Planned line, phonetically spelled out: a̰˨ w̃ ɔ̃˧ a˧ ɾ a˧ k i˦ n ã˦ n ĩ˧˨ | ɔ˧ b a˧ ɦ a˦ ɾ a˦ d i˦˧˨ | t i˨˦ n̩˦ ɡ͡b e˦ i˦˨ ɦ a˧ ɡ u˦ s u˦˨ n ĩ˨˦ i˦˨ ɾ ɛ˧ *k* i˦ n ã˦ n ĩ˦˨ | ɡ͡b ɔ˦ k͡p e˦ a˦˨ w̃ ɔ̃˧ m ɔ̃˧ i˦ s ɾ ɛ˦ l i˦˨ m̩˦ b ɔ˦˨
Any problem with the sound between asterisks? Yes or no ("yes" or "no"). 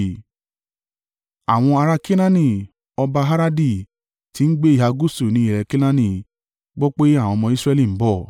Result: no